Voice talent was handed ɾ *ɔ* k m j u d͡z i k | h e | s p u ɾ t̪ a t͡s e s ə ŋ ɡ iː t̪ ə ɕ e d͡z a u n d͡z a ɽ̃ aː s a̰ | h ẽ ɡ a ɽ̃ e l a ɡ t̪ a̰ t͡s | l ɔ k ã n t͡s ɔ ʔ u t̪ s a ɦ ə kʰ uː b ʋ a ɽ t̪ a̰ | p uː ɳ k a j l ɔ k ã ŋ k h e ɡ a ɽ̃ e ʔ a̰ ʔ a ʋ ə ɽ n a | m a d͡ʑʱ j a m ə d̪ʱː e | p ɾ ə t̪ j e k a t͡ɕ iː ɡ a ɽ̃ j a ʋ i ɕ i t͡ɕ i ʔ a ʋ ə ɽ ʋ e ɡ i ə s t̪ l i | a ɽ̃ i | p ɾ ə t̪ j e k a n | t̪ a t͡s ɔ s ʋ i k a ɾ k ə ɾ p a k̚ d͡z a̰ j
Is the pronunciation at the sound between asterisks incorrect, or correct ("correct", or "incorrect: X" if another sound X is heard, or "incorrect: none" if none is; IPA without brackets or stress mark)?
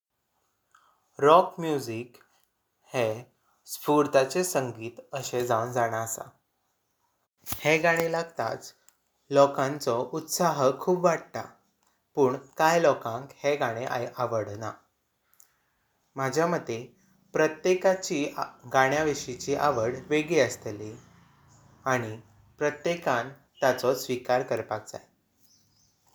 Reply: correct